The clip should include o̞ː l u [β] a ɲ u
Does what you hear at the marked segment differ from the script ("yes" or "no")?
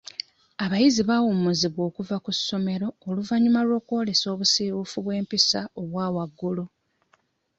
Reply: yes